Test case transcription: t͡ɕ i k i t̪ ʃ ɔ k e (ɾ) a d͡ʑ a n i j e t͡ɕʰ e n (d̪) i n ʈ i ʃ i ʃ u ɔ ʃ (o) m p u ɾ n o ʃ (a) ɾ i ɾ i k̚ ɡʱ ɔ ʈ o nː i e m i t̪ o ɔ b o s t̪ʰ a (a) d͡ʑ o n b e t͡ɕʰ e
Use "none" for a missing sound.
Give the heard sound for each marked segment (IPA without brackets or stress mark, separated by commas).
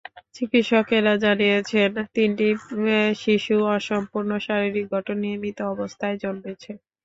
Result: ɾ, t̪, ɔ, a, e